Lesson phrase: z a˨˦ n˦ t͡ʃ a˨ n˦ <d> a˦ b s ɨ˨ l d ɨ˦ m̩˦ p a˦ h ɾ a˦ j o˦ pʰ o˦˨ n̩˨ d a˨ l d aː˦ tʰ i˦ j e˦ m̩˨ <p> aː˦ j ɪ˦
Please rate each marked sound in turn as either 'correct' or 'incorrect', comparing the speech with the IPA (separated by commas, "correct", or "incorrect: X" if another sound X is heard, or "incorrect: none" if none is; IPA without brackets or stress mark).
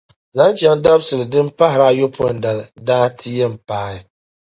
correct, correct